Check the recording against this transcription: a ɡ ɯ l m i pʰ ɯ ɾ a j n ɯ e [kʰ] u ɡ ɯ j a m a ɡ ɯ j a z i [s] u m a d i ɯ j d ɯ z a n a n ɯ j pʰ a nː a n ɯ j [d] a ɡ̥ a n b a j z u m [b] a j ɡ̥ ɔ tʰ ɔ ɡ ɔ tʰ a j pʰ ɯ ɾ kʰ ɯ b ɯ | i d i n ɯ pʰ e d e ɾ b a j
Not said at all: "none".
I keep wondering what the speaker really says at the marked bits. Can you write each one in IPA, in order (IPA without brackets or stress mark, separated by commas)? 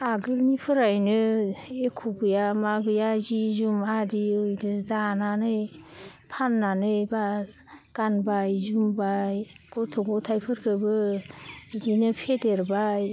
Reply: kʰ, z, b, b